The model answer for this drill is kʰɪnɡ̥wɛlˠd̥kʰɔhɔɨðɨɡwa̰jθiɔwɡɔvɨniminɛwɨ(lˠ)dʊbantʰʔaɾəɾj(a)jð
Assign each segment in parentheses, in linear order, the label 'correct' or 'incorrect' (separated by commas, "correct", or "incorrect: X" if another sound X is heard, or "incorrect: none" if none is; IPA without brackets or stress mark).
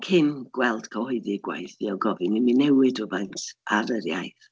incorrect: none, correct